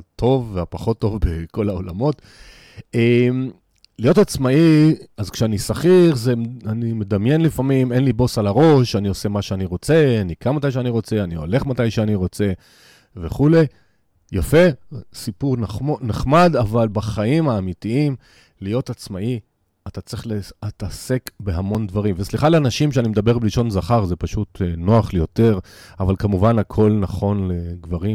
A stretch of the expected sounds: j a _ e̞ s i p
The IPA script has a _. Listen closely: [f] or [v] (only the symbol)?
f